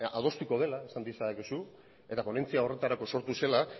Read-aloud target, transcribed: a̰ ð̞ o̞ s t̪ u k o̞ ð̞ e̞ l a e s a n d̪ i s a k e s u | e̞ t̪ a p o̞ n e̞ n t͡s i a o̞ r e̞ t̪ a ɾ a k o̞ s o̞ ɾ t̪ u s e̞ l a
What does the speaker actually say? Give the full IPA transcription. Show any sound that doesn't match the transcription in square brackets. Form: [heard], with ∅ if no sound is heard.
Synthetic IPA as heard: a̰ ð̞ o̞ s t̪ u k o̞ ð̞ e̞ l a e s a n d̪ i s a k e s u | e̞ t̪ a p o̞ n e̞ n t͡s i a o̞ r e̞ t̪ a ɾ a k o̞ s o̞ ɾ t̪ u s e̞ l a